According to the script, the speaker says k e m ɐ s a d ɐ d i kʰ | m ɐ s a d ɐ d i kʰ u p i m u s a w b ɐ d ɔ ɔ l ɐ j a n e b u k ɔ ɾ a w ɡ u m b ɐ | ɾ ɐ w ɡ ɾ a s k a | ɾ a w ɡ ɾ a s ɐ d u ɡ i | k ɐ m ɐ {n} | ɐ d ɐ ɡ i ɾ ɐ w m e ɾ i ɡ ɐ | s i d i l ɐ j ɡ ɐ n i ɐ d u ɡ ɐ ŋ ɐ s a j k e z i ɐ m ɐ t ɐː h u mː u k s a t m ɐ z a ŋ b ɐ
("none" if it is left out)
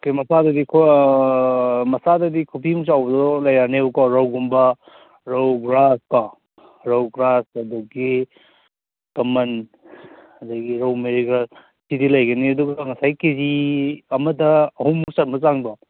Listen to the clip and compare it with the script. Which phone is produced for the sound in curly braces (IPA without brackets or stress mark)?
n